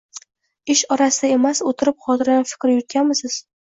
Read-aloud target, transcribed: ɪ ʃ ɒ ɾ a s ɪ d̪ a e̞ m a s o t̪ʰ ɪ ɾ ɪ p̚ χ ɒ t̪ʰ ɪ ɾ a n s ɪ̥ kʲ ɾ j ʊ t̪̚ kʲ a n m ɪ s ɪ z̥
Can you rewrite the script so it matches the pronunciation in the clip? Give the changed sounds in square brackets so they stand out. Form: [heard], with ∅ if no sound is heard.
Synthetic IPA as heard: ɪ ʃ ɒ ɾ a s ɪ d̪ a e̞ m a s o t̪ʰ ɪ ɾ ɪ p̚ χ ɒ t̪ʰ ɪ ɾ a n [f] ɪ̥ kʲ ɾ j ʊ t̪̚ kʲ a n m ɪ s ɪ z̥

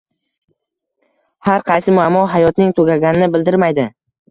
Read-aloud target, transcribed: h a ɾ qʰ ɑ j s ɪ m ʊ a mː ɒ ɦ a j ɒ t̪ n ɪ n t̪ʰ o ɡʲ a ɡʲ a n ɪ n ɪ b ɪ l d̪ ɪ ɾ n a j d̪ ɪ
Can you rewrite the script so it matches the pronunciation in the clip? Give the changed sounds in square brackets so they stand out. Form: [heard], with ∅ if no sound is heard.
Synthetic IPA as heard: h a ɾ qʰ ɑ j s ɪ m ʊ a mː ɒ ɦ a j ɒ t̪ n ɪ [ŋ] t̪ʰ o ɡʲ a ɡʲ a n ɪ n ɪ b ɪ l d̪ ɪ ɾ [m] a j d̪ ɪ

